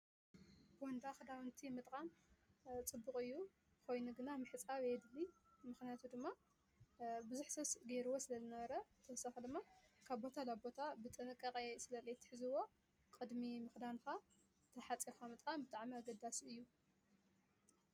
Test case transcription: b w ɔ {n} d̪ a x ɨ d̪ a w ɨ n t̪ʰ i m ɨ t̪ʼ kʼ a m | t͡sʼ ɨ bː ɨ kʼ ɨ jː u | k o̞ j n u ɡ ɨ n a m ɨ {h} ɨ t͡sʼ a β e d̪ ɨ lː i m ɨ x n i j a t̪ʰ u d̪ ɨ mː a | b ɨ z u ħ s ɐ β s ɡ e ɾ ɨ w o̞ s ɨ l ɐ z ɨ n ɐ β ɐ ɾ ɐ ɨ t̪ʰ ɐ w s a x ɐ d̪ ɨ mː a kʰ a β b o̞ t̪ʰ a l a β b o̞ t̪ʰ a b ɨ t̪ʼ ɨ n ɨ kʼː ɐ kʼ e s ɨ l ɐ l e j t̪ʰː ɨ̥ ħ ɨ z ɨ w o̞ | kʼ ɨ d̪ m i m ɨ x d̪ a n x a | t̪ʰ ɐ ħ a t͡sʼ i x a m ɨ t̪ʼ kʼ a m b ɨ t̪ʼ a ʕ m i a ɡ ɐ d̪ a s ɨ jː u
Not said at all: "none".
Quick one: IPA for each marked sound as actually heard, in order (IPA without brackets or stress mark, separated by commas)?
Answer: n, ħ